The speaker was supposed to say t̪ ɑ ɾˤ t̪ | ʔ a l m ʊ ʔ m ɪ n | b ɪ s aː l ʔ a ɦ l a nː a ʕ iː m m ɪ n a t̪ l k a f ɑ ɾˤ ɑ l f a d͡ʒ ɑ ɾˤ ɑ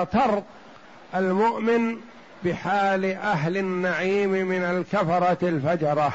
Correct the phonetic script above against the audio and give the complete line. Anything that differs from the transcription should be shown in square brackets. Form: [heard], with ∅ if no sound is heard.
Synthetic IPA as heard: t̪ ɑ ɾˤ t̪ | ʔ a l m ʊ ʔ m ɪ n | b ɪ [ħ] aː l ʔ a ɦ l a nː a ʕ iː m m ɪ n a [∅] l k a f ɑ ɾˤ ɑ l f a d͡ʒ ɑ ɾˤ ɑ